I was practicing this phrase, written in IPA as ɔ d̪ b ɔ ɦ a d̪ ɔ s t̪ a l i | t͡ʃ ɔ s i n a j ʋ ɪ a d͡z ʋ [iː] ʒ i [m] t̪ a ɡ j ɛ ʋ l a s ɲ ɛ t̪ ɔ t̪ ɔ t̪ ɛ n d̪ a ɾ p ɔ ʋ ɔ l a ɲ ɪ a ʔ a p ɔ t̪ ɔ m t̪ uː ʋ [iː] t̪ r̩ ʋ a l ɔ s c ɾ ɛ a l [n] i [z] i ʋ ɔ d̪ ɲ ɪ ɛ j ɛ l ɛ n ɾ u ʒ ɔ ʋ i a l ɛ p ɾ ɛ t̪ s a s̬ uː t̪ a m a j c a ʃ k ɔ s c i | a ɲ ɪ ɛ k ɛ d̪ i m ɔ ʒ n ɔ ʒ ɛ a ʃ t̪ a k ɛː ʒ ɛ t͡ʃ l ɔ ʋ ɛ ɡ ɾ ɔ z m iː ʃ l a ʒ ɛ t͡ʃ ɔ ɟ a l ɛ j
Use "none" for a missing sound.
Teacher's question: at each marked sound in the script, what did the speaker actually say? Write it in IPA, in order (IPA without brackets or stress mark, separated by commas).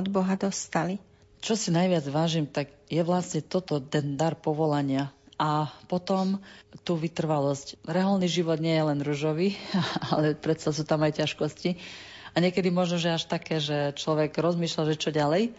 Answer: aː, m, i, n, ʒ